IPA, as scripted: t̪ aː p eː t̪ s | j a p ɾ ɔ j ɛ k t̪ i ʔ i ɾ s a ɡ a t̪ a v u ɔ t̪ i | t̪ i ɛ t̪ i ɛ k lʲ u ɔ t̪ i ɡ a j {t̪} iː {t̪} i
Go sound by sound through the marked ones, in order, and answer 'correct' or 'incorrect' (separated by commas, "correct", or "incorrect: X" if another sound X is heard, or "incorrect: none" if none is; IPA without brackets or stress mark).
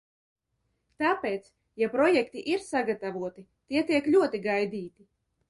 incorrect: d̪, correct